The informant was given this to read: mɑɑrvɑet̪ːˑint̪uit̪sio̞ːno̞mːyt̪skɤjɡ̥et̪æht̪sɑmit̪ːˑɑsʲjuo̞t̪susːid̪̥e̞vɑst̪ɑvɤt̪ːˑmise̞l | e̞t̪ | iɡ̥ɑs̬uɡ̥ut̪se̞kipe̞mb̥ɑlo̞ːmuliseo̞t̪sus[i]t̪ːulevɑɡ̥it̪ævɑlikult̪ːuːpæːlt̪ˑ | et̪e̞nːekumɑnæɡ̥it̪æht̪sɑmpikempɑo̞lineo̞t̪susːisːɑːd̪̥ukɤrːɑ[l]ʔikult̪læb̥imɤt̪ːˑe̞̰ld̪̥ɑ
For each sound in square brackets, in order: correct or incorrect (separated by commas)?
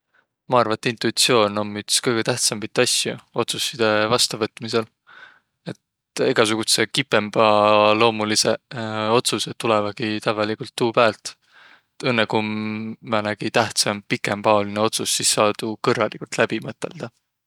incorrect, correct